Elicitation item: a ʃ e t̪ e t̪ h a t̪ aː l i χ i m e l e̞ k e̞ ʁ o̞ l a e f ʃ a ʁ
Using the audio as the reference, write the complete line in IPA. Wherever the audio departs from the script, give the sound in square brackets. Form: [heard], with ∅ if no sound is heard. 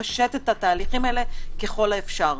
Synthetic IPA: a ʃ e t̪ e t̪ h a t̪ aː l i χ i m e l e̞ k e̞ [χ] o̞ l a e f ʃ a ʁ

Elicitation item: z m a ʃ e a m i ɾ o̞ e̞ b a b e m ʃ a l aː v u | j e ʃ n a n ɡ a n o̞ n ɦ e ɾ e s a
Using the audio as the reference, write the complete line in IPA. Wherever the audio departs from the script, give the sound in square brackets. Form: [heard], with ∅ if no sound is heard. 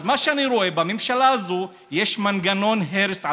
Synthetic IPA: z m a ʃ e a [n] i ɾ o̞ e̞ b a [m] e m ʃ a l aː [z] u | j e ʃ [m] a n ɡ a n o̞ n ɦ e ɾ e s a

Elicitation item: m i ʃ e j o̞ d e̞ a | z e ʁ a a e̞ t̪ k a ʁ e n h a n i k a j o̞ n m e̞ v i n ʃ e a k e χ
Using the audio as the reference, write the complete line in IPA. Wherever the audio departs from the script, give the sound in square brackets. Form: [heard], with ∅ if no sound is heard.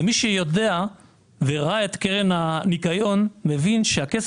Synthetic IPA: m i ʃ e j o̞ d e̞ a | [v] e ʁ a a e̞ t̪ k [e] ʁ e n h a n i k a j o̞ n m e̞ v i n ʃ e a k e [s]

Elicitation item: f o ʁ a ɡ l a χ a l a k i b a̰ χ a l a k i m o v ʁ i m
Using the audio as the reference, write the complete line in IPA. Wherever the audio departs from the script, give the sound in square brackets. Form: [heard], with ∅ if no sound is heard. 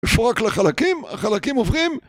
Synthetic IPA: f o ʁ a [k] l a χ a l a k i [m] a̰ χ a l a k i m o v ʁ i m

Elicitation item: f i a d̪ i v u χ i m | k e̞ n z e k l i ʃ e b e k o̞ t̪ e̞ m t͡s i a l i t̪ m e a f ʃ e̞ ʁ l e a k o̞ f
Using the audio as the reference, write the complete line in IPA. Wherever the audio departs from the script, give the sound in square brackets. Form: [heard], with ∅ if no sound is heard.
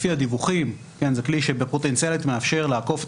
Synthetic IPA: f i a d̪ i v u χ i m | k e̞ n z e k l i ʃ e b e [p] o̞ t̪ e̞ [n] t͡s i a l i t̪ m e a f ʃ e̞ ʁ l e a k o̞ f

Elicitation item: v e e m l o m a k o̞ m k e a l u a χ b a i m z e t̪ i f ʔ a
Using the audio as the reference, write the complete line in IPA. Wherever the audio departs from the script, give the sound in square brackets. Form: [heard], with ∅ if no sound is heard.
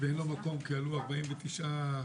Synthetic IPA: v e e [n] l o m a k o̞ m k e a l u a [ʁ] b a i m [v] e t̪ i [ʃ] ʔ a

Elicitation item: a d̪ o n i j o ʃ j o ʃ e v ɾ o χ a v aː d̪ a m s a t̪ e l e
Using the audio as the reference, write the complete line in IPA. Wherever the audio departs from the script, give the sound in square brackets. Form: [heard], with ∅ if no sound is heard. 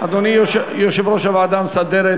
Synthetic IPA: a d̪ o n i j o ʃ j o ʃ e v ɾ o [ʃ] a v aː d̪ a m s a [d̪] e [ɾ] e

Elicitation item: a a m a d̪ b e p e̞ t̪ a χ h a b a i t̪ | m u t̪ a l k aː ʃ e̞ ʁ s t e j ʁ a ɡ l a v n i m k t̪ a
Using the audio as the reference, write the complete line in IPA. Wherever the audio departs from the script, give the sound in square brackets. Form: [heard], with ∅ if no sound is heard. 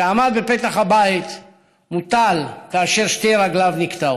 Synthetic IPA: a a m a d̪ b e p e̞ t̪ a χ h a b a i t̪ | m u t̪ a l k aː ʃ e̞ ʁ [ʃ] t e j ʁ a ɡ l a v n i [∅] k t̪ a

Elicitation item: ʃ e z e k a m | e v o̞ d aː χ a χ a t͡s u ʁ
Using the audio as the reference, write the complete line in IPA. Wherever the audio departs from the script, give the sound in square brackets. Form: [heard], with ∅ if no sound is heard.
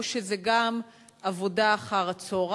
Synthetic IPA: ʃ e z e [ɡ] a m | [a] v o̞ d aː χ a [ʁ] a t͡s [o] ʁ

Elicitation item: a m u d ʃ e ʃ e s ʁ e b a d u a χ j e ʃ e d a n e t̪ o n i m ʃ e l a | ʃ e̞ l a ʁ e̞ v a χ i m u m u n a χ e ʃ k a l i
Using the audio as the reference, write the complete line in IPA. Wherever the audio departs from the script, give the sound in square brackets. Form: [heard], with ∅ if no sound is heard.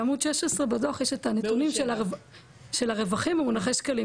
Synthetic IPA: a m u d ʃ e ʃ e s ʁ e b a d [o] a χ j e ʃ e [t] a n e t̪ [u] n i m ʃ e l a | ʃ e̞ l a ʁ e̞ v a χ i m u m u n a χ e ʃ k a l i

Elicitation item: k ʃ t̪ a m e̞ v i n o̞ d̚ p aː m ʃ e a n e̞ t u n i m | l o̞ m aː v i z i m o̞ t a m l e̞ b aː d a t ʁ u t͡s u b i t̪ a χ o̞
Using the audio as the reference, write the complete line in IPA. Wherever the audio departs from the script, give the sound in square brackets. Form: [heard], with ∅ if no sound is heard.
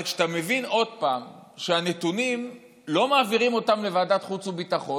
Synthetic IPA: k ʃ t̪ a m e̞ v i n o̞ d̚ p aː m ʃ e a n e̞ t u n i m | l o̞ m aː v i [ʁ] i m o̞ t a m l e̞ [v] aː d a t [χ] u t͡s u b i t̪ a χ o̞

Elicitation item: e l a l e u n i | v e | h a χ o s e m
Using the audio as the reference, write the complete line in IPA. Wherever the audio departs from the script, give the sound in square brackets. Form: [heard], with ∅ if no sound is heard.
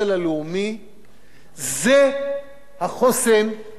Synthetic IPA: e l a l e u [m] i | [z] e | h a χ o s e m

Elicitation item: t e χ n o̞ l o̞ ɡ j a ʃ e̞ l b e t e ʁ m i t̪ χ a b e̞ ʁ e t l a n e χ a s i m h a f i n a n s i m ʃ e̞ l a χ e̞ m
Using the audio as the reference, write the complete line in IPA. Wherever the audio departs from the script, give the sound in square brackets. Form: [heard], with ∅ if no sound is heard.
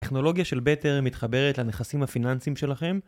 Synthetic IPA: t e χ n o̞ l o̞ ɡ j a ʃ e̞ l b e t e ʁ m i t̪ χ a b e̞ ʁ e t l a n e χ a s i m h a f i n a n s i m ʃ e̞ l a χ e̞ m

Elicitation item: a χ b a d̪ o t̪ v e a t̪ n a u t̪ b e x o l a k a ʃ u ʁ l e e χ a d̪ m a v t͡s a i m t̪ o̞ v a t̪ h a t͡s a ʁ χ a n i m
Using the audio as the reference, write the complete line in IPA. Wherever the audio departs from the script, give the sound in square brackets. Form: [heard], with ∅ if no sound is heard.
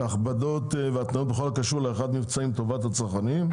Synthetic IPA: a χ b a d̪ o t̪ v e a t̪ n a [o] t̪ b e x o l a k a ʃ u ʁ l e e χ a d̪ m [i] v t͡s a i m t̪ o̞ v a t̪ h a t͡s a ʁ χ a n i m

